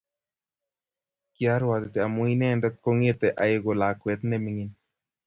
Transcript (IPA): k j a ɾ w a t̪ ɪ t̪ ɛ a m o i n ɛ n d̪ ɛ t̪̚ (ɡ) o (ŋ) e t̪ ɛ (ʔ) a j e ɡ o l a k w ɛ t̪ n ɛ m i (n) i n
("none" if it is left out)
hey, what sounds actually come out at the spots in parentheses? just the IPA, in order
k, ŋ, ʔ, ŋ

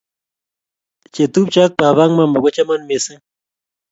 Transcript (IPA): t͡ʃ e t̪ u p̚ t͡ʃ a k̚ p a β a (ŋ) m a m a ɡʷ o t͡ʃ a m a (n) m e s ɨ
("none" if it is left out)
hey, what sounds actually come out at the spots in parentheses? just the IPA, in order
ŋ, n

